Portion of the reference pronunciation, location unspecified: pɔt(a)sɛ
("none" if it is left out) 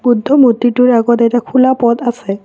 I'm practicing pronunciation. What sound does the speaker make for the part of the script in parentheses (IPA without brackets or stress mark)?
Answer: a